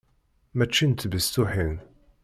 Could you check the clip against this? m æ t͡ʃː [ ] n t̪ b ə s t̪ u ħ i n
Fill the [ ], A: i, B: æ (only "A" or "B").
A